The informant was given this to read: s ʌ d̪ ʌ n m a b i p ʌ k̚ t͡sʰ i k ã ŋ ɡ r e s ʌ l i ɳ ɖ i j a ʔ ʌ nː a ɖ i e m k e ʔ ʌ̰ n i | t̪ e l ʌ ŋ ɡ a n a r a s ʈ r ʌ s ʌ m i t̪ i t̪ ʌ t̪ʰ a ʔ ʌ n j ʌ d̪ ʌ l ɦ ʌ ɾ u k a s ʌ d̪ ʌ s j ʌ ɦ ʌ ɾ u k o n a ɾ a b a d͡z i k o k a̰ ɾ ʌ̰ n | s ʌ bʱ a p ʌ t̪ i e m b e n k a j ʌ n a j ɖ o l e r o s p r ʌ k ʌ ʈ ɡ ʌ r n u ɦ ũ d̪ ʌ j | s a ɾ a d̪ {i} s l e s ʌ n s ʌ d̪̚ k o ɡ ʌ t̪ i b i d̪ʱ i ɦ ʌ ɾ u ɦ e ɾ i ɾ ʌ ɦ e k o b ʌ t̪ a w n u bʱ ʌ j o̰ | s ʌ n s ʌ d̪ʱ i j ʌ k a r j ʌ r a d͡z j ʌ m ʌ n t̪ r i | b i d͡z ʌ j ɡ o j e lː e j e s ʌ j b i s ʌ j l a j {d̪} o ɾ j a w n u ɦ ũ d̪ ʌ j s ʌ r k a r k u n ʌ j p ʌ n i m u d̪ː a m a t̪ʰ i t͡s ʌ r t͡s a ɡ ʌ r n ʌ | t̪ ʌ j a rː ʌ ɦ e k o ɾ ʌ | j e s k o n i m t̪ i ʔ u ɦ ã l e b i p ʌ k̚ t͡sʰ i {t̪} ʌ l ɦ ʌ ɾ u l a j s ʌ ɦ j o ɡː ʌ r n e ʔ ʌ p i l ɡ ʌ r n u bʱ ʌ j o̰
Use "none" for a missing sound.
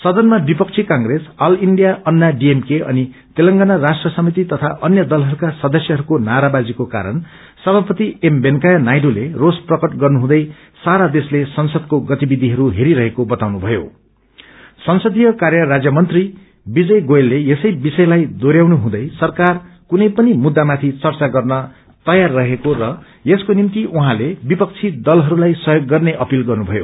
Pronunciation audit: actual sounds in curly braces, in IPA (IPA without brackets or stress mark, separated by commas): e, d̪, d̪